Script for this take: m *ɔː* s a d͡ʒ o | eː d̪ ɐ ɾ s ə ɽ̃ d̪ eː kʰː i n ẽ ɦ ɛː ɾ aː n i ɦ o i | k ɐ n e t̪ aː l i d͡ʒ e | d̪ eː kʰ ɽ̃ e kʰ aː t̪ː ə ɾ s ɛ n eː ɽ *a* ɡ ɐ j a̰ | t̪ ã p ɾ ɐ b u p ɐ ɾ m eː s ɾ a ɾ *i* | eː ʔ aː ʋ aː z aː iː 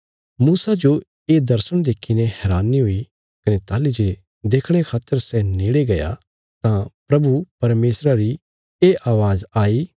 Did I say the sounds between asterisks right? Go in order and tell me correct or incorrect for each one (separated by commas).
incorrect, incorrect, correct